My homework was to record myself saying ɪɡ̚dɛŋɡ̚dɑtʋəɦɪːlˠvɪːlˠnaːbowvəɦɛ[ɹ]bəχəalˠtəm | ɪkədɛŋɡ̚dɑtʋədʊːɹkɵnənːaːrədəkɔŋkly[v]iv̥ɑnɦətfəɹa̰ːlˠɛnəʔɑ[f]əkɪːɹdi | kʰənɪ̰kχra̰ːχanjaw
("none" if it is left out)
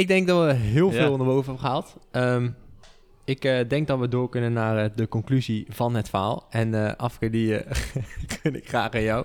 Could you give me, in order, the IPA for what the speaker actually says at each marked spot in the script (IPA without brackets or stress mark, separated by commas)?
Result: none, z, f